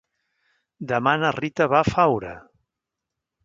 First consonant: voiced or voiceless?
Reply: voiced